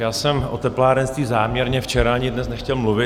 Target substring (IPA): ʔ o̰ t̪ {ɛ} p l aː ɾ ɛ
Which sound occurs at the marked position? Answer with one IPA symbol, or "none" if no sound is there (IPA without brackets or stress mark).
ɛ